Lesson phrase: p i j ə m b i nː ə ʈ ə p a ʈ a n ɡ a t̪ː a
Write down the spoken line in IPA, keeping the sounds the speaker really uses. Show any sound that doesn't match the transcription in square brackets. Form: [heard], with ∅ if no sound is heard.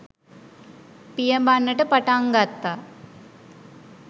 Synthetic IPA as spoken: p i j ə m b [a] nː ə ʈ ə p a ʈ a [ŋ] ɡ a t̪ː a